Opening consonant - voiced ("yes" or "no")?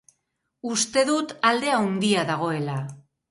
no